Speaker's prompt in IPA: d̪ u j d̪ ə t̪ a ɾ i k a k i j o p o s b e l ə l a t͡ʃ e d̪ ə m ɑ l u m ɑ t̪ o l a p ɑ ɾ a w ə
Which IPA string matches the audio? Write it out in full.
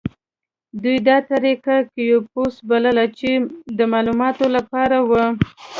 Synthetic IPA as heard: d̪ u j d̪ ɑ t̪ a ɾ i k a k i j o p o s b a l ə l a t͡ʃ e d̪ ə m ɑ l u m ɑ t̪ o l a p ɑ ɾ a w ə